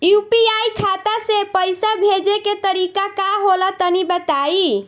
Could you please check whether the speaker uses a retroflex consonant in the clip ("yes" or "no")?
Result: no